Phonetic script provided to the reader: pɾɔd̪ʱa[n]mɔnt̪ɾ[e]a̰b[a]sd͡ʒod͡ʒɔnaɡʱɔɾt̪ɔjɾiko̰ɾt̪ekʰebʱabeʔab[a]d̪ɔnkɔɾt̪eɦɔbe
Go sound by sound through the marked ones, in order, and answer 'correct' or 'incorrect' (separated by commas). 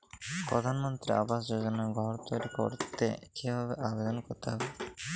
correct, incorrect, correct, incorrect